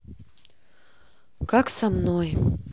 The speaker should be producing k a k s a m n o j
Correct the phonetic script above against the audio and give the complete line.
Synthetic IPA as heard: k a k s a m n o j